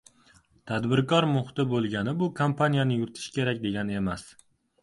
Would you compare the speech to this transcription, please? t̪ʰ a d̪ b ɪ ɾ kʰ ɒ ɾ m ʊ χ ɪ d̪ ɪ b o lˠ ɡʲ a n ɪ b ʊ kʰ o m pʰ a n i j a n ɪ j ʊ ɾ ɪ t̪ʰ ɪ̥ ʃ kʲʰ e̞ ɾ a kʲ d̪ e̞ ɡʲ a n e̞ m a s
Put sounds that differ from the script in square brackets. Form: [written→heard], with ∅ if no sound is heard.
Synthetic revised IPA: t̪ʰ a d̪ b ɪ ɾ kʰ ɒ ɾ m ʊ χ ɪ [d̪→t̪] ɪ b o lˠ ɡʲ a n ɪ b ʊ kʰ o m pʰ a n i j a n ɪ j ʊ ɾ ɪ t̪ʰ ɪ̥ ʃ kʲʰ e̞ ɾ a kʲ d̪ e̞ ɡʲ a n e̞ m a s